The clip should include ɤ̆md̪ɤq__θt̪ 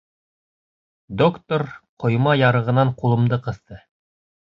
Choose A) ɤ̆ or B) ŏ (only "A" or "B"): A